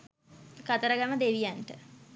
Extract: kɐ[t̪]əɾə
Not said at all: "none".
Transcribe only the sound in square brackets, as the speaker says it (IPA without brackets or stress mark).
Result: t̪